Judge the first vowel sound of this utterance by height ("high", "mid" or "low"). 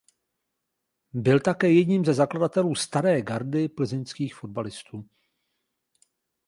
high